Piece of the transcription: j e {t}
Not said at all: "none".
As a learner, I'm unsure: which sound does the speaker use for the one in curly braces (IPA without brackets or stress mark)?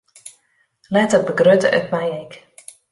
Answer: k